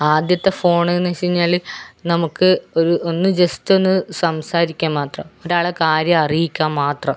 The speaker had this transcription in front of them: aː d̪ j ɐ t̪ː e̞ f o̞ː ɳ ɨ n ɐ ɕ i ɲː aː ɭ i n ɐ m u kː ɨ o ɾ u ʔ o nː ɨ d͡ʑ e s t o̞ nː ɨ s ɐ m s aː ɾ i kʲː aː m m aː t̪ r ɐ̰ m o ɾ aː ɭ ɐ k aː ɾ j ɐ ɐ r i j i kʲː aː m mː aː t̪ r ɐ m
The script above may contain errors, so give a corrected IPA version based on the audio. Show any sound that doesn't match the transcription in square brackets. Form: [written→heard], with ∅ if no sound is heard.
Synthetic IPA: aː d̪ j ɐ t̪ː e̞ f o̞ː ɳ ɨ n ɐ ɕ i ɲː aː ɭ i n ɐ m u kː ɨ o ɾ u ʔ o nː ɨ d͡ʑ e s t o̞ nː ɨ s ɐ m s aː ɾ i kʲː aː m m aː t̪ r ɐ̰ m o ɾ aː ɭ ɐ k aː ɾ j ɐ ɐ r i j i kʲː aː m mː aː t̪ r ɐ m